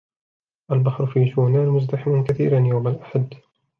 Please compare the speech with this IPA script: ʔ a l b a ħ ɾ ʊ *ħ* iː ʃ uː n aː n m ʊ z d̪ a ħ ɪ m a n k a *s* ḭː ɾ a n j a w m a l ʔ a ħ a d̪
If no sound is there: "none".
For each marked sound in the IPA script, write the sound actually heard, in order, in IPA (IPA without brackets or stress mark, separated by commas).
f, θ